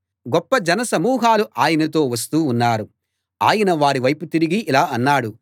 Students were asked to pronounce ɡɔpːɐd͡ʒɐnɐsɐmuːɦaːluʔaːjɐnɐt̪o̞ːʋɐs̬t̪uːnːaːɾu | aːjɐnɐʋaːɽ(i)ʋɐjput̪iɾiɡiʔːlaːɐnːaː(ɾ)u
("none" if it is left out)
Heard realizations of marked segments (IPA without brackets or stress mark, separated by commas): i, ɽ